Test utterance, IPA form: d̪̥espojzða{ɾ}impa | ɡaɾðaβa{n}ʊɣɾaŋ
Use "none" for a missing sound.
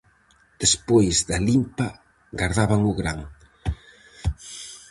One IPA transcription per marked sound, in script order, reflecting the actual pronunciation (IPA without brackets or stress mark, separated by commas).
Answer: l, ŋ